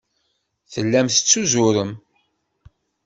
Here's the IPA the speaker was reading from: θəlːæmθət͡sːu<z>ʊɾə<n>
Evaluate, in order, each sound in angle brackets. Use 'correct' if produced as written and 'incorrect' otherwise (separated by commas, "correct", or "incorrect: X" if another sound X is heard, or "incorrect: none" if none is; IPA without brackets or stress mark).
correct, incorrect: m